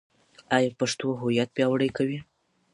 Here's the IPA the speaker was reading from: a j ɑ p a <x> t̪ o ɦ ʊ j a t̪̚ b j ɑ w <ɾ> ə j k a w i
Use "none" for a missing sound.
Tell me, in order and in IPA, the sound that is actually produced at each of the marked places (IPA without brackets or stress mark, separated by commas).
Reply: ʂ, ɽ